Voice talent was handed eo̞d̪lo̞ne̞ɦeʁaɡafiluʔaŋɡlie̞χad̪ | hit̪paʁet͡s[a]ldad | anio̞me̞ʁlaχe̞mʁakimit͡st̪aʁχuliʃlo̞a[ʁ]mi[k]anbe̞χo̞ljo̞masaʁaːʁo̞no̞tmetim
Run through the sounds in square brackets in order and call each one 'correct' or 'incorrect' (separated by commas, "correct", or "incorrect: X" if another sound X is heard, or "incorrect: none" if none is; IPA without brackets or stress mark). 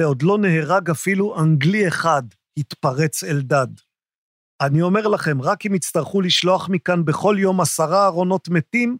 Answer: incorrect: e, incorrect: χ, correct